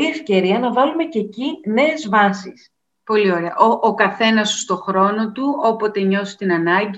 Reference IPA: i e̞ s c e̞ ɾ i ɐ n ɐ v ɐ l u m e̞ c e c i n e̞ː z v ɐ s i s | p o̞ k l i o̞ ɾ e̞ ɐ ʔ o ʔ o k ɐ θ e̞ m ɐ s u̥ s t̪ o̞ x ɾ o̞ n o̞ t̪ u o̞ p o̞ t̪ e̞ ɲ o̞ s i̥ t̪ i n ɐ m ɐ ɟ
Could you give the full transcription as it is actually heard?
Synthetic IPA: i e̞ f c e̞ ɾ i ɐ n ɐ v ɐ l u m e̞ c e c i n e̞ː z v ɐ s i s | p o̞ l i o̞ ɾ e̞ ɐ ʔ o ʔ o k ɐ θ e̞ n ɐ s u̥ s t̪ o̞ x ɾ o̞ n o̞ t̪ u o̞ p o̞ t̪ e̞ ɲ o̞ s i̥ t̪ i n ɐ n ɐ ɟ